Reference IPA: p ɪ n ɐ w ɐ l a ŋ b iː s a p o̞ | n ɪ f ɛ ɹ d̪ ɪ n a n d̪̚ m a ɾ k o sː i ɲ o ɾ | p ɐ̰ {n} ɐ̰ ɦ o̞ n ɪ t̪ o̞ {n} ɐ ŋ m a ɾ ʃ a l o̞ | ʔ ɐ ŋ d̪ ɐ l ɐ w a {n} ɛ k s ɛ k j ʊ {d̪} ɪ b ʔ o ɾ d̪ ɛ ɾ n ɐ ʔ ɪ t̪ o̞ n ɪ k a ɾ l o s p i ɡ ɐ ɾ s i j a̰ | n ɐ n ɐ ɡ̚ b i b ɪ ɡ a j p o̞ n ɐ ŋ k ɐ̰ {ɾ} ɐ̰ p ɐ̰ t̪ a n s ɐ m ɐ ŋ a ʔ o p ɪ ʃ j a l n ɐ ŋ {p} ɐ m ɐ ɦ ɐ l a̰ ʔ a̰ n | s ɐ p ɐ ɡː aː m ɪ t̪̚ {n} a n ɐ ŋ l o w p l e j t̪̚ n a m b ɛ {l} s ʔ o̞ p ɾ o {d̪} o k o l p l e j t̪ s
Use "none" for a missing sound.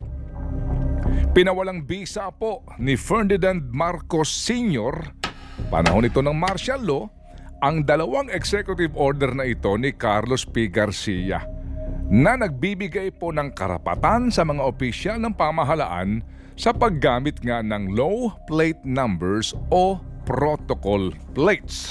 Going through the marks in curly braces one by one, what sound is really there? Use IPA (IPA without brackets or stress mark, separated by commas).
n, n, ŋ, t̪, ɾ, p, ŋ, ɹ, t̪